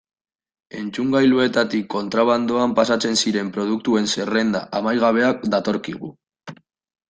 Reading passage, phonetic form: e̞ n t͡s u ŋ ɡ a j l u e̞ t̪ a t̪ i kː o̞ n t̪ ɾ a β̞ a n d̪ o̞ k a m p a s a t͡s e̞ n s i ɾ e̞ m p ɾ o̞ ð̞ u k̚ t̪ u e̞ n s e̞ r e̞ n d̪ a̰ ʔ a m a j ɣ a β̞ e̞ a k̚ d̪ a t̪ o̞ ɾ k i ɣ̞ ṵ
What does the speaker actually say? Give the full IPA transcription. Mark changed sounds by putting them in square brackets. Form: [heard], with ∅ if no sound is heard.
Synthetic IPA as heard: e̞ n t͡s u ŋ ɡ a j l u e̞ t̪ a t̪ i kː o̞ n t̪ ɾ a β̞ a n d̪ o̞ [∅] a m p a s a t͡s e̞ n s i ɾ e̞ m p ɾ o̞ ð̞ u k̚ t̪ u e̞ n s e̞ r e̞ n d̪ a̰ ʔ a m a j ɣ a β̞ e̞ a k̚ d̪ a t̪ o̞ ɾ k i ɣ̞ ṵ